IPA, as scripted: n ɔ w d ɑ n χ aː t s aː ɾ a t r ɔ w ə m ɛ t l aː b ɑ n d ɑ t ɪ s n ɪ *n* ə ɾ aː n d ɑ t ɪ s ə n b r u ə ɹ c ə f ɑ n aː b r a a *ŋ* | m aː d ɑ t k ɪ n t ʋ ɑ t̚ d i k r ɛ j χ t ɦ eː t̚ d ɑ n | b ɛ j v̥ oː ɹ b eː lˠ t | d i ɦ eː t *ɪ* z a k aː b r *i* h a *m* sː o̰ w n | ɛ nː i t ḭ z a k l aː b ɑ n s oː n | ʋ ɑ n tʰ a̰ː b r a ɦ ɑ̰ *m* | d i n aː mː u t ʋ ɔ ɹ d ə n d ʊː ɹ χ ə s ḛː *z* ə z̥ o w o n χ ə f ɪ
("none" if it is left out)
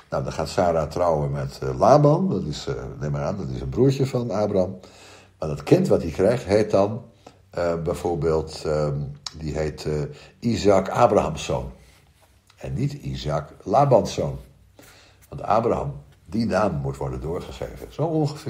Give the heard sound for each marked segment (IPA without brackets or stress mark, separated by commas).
m, m, i, a, m, m, v